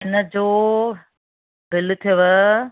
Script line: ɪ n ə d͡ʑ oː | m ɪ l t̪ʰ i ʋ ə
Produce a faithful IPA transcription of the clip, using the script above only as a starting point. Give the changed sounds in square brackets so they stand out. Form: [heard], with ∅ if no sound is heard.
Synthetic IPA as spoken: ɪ n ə d͡ʑ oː | [b] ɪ l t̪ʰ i ʋ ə